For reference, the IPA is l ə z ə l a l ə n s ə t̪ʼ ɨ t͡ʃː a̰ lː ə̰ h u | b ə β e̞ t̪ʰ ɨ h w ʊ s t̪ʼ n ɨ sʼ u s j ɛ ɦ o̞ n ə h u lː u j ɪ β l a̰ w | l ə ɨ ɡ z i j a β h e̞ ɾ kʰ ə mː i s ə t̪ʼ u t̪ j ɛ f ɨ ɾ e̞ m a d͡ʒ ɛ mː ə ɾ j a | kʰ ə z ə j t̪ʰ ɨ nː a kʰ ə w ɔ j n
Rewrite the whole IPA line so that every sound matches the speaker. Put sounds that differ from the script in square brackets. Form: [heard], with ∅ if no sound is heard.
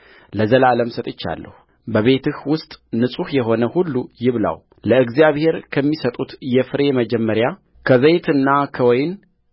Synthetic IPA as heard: l ə z ə l a l ə [m] s ə t̪ʼ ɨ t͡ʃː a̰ lː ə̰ h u | b ə β e̞ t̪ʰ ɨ h w ʊ s t̪ʼ n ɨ sʼ u [h] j ɛ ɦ o̞ n ə h u lː u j ɪ β l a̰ w | l ə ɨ ɡ z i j a β h e̞ ɾ kʰ ə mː i s ə t̪ʼ u t̪ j ɛ f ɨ ɾ e̞ m [ə] d͡ʒ ɛ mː ə ɾ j a | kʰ ə z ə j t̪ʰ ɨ nː a kʰ ə w ɔ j n